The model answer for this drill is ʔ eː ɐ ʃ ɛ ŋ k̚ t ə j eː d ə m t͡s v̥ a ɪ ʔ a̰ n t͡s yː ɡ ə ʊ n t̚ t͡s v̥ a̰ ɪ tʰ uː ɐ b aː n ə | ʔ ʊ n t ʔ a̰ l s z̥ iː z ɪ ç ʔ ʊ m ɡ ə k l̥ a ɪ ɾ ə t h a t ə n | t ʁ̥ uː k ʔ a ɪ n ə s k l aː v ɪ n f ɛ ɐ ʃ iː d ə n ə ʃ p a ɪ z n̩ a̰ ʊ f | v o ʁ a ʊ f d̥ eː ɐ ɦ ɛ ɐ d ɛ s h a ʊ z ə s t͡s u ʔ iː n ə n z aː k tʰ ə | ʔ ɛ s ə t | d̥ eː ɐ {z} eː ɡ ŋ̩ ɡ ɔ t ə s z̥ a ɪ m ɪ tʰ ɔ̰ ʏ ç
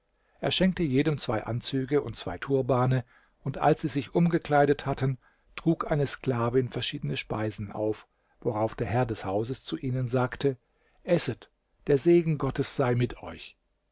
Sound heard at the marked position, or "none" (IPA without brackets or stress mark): z